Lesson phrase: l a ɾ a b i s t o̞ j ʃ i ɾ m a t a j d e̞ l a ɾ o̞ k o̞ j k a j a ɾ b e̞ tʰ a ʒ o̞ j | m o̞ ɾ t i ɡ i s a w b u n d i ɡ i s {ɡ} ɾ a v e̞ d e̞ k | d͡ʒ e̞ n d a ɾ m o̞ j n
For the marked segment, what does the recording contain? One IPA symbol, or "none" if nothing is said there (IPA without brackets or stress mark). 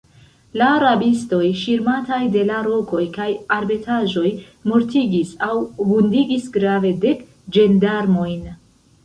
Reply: ɡ